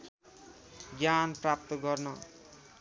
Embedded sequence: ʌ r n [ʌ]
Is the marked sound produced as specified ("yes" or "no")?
yes